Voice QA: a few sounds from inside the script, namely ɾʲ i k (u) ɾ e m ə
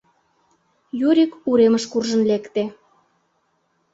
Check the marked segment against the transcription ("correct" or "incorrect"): correct